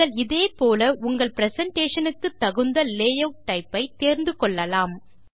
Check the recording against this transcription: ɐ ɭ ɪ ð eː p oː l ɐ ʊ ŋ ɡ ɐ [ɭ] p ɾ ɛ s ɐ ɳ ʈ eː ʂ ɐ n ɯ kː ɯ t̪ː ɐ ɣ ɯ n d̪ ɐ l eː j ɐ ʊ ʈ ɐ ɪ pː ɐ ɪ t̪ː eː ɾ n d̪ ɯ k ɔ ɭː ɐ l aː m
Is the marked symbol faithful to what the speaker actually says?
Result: yes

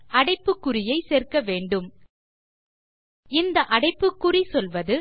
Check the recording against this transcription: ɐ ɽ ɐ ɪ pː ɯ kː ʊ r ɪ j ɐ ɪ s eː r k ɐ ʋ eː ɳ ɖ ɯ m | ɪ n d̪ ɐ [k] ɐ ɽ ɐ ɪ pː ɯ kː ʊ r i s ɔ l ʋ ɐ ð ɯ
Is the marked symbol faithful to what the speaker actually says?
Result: no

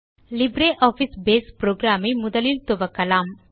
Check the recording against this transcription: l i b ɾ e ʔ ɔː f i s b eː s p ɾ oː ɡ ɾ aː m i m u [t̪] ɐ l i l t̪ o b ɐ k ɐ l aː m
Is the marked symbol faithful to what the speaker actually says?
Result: no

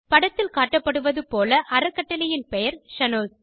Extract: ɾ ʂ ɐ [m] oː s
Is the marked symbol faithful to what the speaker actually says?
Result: no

